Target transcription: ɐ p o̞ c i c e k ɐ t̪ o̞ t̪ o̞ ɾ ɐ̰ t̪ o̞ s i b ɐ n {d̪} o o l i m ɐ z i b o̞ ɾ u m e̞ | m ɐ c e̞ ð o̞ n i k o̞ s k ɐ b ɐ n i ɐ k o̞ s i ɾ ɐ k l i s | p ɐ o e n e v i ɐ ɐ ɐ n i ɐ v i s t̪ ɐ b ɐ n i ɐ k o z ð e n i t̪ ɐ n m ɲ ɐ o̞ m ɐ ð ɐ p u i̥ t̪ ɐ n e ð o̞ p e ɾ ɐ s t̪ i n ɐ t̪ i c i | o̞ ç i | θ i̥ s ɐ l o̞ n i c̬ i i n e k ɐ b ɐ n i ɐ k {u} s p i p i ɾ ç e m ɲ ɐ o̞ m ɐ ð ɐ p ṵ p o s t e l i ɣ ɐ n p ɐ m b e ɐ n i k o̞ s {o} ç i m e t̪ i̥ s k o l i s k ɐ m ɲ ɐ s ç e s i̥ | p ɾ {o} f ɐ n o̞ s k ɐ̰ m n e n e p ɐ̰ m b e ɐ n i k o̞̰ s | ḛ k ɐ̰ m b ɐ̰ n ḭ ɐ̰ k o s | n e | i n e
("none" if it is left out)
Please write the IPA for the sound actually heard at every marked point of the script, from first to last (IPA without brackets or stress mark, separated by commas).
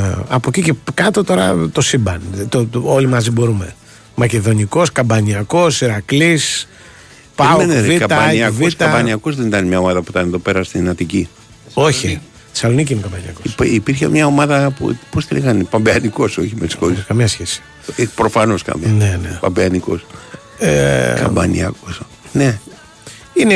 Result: t̪, o, o, o